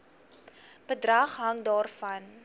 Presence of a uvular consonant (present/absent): present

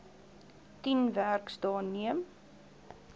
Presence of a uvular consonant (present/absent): absent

